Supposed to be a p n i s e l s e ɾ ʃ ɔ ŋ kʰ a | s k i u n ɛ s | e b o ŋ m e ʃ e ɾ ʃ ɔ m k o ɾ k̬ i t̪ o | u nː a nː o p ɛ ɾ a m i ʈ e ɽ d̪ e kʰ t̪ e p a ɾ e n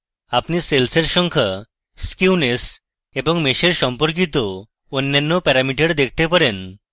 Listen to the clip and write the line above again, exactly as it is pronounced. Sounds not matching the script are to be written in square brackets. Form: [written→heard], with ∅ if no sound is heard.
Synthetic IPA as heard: a p n i s e l s e ɾ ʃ ɔ ŋ kʰ a | s k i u n [ɛ→e] s | e b o ŋ m e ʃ e ɾ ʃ ɔ m [k→p] o ɾ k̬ i t̪ o | [u→o] nː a nː o p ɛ ɾ a m i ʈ e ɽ d̪ e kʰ t̪ e p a ɾ e n